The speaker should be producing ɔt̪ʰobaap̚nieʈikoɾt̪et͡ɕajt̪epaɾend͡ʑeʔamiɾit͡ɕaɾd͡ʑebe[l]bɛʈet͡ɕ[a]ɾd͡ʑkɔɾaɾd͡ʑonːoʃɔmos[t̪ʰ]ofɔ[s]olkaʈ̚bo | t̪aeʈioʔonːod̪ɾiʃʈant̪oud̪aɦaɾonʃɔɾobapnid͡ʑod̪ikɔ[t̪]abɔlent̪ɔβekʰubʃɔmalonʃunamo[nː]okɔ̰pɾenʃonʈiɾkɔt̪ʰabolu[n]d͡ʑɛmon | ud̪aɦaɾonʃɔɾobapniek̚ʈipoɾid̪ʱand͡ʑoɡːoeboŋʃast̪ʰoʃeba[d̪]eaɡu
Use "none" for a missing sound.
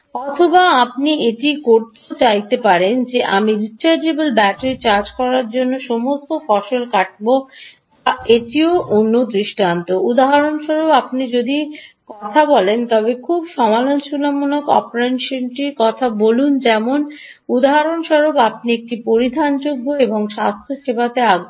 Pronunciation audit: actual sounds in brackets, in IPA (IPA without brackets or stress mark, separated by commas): l, a, t̪, ʃ, t̪ʰ, n, n, t̪